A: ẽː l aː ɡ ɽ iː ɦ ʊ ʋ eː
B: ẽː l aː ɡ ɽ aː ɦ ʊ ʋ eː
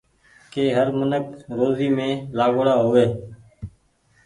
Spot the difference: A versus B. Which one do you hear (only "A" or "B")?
B